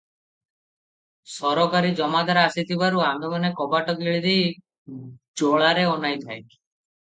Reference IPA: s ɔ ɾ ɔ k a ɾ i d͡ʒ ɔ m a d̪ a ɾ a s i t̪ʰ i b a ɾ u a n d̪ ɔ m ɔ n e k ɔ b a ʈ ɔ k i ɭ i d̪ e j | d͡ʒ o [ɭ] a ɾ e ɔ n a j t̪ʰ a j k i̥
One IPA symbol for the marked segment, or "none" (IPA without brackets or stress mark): ɭ